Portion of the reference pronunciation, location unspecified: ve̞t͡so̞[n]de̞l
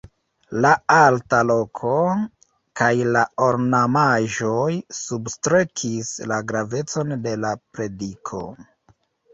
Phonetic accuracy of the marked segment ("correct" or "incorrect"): correct